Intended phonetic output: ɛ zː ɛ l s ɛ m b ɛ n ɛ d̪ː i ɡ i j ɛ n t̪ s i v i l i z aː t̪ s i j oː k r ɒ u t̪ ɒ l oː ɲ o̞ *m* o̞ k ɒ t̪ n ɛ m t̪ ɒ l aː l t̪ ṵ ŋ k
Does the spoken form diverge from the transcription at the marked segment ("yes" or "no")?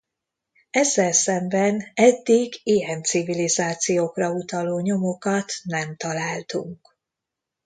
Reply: no